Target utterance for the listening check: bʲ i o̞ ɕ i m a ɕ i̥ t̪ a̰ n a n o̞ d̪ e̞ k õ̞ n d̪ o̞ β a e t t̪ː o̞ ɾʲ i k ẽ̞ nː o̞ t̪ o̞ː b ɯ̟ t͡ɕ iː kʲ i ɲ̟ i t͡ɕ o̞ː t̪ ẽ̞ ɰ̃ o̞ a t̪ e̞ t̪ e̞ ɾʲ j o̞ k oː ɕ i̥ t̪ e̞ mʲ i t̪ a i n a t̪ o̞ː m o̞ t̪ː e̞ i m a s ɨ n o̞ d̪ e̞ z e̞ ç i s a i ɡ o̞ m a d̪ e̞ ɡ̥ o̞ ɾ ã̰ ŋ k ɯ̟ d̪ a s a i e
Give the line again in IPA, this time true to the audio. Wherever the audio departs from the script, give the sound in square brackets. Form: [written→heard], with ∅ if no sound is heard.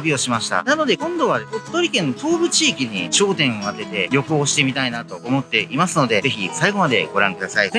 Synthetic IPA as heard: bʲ i o̞ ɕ i m a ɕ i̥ t̪ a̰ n a n o̞ d̪ e̞ k õ̞ n d̪ o̞ β a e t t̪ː o̞ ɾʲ i k ẽ̞ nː o̞ t̪ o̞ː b ɯ̟ t͡ɕ iː kʲ i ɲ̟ i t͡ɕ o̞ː t̪ ẽ̞ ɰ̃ o̞ a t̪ e̞ t̪ e̞ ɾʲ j o̞ k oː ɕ i̥ t̪ e̞ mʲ i t̪ a i n a t̪ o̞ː m o̞ t̪ː e̞ i m a s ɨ n o̞ d̪ e̞ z e̞ ç i s a i ɡ o̞ m a d̪ e̞ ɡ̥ o̞ ɾ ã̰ ŋ k ɯ̟ d̪ a s a i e